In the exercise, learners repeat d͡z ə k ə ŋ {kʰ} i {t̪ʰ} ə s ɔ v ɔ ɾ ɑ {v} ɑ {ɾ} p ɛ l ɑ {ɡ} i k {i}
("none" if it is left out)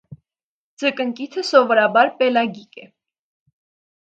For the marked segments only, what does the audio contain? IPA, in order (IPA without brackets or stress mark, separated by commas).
k, t̪ʰ, b, ɾ, ɡ, ɛ